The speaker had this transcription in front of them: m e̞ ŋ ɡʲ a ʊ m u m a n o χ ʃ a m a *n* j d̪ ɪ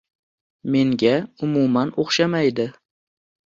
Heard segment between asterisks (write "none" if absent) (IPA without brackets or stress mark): none